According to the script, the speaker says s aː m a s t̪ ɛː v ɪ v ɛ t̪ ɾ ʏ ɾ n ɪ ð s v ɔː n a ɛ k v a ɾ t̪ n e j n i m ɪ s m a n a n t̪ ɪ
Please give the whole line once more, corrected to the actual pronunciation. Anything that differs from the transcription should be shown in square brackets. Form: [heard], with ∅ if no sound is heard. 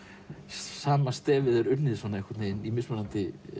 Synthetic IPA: s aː m a s t̪ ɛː v ɪ [ð] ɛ [∅] ɾ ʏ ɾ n ɪ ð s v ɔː n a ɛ k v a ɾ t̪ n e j n i m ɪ s m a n a n t̪ ɪ